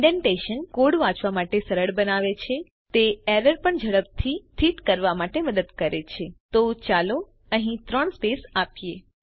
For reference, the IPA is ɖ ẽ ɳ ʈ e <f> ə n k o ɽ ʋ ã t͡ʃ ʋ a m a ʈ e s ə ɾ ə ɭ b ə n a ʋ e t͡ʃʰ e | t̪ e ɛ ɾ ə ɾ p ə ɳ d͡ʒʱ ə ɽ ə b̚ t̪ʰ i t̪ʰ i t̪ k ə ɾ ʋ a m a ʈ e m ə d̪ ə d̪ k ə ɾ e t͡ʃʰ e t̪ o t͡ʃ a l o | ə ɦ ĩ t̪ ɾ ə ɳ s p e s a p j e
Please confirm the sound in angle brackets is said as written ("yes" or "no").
no